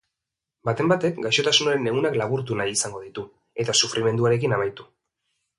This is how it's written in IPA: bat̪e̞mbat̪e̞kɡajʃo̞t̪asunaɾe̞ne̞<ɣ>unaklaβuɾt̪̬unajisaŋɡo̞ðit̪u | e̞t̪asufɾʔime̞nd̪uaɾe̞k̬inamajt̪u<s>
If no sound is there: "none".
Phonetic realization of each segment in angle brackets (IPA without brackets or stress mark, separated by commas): ɣ, none